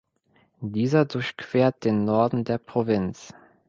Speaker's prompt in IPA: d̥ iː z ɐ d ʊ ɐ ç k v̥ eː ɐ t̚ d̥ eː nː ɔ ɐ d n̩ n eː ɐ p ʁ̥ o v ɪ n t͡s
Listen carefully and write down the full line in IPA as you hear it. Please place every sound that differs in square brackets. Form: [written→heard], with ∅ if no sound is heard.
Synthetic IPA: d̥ iː z ɐ d ʊ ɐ ç k v̥ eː ɐ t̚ d̥ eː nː ɔ ɐ d n̩ [n→d] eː ɐ p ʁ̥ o v ɪ n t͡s

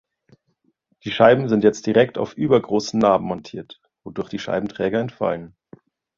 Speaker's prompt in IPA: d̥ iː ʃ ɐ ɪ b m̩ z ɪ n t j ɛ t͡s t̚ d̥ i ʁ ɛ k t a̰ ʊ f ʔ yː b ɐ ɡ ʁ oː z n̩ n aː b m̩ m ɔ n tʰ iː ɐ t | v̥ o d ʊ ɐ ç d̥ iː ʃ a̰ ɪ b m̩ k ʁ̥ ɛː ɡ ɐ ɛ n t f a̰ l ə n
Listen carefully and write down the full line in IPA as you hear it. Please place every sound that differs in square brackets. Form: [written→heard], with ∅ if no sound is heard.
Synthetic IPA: d̥ iː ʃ [ɐ→a] ɪ b m̩ z ɪ n t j ɛ t͡s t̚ d̥ i ʁ ɛ k t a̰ ʊ f ʔ yː b ɐ ɡ ʁ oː [z→s] n̩ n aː b m̩ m ɔ n tʰ iː ɐ t | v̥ o d ʊ ɐ ç d̥ iː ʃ a̰ ɪ b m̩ [k→t] ʁ̥ ɛː ɡ ɐ ɛ n t f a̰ l ə n

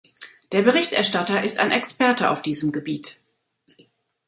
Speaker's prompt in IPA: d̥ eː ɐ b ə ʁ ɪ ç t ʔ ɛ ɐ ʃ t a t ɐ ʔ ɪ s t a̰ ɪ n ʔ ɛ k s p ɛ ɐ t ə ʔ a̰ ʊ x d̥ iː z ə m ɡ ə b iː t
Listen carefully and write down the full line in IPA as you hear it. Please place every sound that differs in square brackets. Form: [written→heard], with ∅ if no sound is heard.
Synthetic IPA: d̥ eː ɐ b ə ʁ ɪ ç t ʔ ɛ ɐ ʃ t a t ɐ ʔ ɪ s t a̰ ɪ n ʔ ɛ k s p ɛ ɐ t ə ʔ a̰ ʊ [x→f] d̥ iː z ə m ɡ ə b iː t

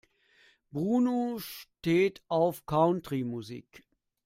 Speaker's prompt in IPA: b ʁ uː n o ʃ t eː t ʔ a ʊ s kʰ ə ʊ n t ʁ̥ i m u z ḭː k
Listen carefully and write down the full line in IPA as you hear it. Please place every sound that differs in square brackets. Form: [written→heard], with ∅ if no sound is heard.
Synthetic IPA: b ʁ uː n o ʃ t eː t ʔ a ʊ [s→f] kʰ [ə→a] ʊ n t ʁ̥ i m u z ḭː k

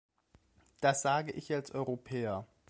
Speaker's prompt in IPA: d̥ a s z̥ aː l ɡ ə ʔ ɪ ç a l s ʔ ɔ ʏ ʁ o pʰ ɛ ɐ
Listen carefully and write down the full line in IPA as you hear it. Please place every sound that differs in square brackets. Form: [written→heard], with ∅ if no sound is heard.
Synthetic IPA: d̥ a s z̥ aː [l→∅] ɡ ə ʔ ɪ ç a l s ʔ ɔ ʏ ʁ o pʰ [ɛ→ɛː] ɐ

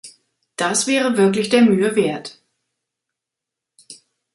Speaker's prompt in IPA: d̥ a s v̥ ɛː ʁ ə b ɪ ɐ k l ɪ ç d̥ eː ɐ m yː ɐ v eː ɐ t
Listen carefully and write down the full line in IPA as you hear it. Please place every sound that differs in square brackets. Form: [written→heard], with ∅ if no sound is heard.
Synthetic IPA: d̥ a s v̥ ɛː ʁ ə [b→v] ɪ ɐ k l ɪ ç d̥ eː ɐ m yː [ɐ→ə] v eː ɐ t

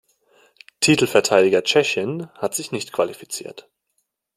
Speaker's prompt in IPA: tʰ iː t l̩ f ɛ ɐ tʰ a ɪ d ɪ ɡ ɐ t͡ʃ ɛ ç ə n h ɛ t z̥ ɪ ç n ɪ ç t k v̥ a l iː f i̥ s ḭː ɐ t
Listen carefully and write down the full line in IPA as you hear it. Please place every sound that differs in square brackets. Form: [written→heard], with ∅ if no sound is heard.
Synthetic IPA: tʰ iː t l̩ f ɛ ɐ tʰ a ɪ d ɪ ɡ ɐ t͡ʃ ɛ ç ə n h [ɛ→a] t z̥ ɪ ç n ɪ ç t k v̥ a l [iː→i] f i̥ [s→t͡s] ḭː ɐ t

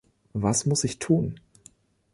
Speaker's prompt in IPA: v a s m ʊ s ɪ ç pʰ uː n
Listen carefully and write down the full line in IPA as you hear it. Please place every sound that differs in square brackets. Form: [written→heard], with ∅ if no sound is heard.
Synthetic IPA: v a s m ʊ s ɪ ç [pʰ→tʰ] uː n

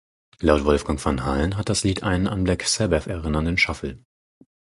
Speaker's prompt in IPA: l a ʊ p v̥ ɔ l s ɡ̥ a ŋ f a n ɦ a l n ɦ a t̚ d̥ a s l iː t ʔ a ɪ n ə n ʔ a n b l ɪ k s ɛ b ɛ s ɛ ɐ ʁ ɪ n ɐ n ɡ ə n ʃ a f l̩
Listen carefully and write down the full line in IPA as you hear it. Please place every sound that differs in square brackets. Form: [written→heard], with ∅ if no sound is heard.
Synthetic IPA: l a ʊ [p→t] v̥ ɔ l [s→f] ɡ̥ a ŋ f a n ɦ a l n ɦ a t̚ d̥ a s l iː t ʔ a ɪ n ə n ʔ a n b l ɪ k s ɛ b ɛ [s→f] ɛ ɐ ʁ ɪ n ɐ n [ɡ→d] ə n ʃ a f l̩

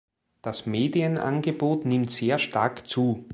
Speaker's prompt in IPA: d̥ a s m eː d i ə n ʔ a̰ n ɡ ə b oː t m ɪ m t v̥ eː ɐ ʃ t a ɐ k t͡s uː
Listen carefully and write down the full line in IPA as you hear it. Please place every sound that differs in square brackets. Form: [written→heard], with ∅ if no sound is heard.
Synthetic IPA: d̥ a s m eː d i ə n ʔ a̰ n ɡ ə b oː t [m→n] ɪ m t [v̥→z̥] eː ɐ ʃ t a ɐ k t͡s uː

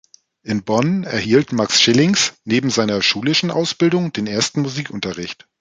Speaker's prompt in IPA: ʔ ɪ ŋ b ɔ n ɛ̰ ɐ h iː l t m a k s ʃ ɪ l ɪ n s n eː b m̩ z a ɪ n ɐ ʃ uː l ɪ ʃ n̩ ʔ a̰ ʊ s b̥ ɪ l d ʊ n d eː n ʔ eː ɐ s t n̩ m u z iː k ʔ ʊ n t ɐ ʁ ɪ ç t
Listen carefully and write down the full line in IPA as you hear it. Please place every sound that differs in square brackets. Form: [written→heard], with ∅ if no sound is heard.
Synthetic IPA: ʔ ɪ [ŋ→n] b ɔ n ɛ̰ ɐ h iː l t m a k s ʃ ɪ l ɪ [n→ŋ] s n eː b m̩ z a ɪ n ɐ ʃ uː l ɪ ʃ n̩ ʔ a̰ ʊ s b̥ ɪ l d ʊ [n→ŋ] d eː n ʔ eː ɐ s t n̩ m u z iː k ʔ ʊ n t ɐ ʁ ɪ ç t

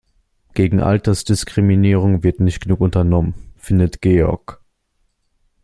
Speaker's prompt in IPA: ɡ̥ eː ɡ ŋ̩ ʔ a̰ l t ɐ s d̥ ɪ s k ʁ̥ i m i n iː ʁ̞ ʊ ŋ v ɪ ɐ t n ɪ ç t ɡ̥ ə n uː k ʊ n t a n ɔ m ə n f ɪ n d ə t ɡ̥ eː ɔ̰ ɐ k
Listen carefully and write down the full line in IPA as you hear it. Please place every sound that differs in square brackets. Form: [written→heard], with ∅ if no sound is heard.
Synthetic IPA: ɡ̥ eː ɡ ŋ̩ ʔ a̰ l t ɐ s d̥ ɪ s k ʁ̥ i m i n iː ʁ̞ ʊ ŋ v ɪ ɐ t n ɪ ç t ɡ̥ ə n uː k ʊ n t [a→ɐ] n ɔ m ə n f ɪ n d ə t ɡ̥ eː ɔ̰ ɐ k

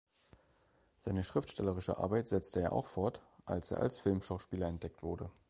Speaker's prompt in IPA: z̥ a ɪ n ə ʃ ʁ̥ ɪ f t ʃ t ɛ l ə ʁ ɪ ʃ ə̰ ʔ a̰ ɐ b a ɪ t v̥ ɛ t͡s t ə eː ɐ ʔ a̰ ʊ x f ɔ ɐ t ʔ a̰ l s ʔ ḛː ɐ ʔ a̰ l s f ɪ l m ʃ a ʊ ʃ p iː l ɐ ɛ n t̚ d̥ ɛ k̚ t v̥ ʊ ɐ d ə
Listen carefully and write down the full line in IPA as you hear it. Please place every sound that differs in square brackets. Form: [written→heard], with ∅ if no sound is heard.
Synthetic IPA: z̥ a ɪ n ə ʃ ʁ̥ ɪ f t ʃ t ɛ l ə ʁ ɪ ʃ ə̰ ʔ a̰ ɐ b a ɪ t [v̥→z̥] ɛ t͡s t ə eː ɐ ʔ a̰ ʊ x f ɔ ɐ t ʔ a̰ l s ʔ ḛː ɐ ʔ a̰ l s f ɪ l m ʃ a ʊ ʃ p iː l ɐ ɛ n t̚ d̥ ɛ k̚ t v̥ ʊ ɐ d ə

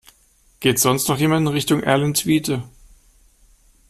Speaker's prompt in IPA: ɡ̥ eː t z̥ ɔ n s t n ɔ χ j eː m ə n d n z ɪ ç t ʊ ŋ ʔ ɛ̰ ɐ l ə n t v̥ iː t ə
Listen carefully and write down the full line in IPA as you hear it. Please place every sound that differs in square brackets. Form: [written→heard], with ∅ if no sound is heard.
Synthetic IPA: ɡ̥ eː t z̥ ɔ n s t n ɔ χ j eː m [ə→a] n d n [z→ʁ] ɪ ç t ʊ ŋ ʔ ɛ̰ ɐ l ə n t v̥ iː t ə

